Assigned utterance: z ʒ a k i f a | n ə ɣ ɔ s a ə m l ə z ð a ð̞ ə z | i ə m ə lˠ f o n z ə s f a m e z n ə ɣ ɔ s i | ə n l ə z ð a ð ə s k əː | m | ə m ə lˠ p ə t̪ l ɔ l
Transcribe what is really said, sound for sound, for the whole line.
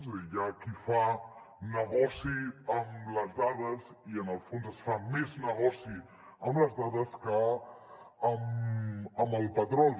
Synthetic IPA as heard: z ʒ a k i f a | n ə ɣ ɔ s i ə m l ə z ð a ð̞ ə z | i ə n ə lˠ f o n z ə s f a m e z n ə ɣ ɔ s i | ə m l ə z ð a ð ə s k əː | m | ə m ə lˠ p ə t̪ ɾ ɔ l